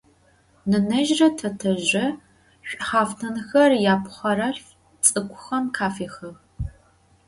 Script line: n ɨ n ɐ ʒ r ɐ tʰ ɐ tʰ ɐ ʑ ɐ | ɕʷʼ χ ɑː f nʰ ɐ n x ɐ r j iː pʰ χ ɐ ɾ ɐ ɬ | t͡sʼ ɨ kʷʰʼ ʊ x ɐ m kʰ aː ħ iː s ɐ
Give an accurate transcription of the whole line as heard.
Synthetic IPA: n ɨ n ɐ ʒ r ɐ tʰ ɐ tʰ ɐ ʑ ɐ | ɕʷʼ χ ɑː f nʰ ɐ n x ɐ r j aː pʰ χ ɐ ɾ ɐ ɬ | t͡sʼ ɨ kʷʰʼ ʊ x ɐ m kʰ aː f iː x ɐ